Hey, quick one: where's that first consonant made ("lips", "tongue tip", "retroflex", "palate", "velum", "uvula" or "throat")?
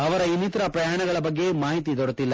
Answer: lips